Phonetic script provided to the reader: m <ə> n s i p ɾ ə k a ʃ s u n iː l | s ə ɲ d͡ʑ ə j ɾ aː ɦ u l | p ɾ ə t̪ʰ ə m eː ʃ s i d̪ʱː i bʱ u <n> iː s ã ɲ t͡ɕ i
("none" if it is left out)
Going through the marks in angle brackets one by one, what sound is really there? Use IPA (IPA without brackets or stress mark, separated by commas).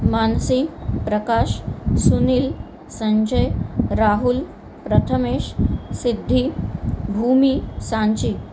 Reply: a, m